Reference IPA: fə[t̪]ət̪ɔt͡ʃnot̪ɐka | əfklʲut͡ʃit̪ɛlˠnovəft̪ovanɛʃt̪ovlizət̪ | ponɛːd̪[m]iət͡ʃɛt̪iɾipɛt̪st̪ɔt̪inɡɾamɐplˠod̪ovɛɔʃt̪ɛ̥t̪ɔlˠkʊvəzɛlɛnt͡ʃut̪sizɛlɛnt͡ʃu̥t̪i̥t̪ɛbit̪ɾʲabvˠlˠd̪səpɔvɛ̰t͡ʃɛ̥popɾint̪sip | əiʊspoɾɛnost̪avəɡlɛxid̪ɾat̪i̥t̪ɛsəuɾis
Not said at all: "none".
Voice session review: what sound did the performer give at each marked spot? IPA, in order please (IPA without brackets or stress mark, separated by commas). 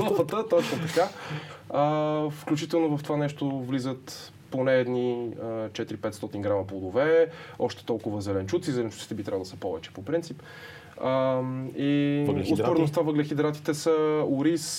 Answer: t̪, n